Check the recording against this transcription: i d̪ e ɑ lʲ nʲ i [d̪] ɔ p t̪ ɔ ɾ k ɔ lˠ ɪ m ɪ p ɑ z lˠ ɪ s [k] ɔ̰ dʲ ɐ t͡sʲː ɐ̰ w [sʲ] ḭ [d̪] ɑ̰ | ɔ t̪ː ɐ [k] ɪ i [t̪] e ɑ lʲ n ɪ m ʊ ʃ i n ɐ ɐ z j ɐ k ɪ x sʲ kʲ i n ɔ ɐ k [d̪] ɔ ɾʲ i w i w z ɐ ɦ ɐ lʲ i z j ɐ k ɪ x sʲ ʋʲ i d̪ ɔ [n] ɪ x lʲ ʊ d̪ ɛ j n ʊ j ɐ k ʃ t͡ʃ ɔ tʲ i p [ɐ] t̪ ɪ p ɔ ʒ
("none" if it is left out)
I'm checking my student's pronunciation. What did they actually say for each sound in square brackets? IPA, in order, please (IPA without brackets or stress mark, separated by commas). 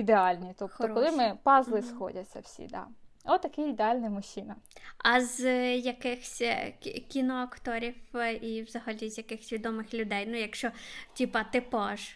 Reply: t̪, x, sʲ, d̪, k, d̪, t̪, m, ɐ